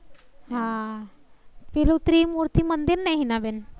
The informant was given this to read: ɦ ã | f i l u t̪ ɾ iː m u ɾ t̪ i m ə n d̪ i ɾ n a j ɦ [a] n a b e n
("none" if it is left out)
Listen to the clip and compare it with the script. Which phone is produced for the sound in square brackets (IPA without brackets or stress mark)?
i